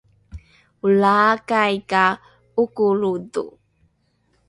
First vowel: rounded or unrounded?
rounded